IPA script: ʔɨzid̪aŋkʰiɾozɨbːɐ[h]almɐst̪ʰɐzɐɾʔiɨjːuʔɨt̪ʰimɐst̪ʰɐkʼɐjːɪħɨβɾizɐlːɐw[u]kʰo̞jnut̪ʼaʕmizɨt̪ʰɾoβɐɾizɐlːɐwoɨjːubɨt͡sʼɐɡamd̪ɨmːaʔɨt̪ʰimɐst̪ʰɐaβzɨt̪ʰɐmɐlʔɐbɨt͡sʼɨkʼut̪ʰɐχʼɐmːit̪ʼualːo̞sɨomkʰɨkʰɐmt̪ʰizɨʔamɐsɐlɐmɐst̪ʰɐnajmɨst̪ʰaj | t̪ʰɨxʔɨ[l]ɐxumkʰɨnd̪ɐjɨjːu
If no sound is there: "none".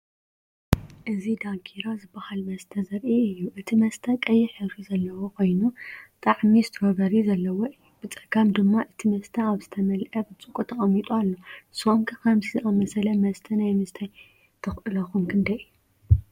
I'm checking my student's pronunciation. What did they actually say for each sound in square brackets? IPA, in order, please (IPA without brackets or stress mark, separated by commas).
h, o, l